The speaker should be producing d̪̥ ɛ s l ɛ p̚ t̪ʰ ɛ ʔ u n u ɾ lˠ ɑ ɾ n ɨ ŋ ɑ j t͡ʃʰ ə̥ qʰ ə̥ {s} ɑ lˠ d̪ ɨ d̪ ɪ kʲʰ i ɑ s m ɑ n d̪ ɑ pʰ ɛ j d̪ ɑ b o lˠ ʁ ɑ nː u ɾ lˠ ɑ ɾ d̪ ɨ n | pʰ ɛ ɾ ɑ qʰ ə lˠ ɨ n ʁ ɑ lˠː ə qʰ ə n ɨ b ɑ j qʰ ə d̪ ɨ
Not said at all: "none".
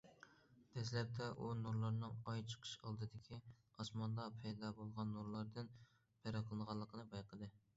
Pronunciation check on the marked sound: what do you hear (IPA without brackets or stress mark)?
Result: ʃ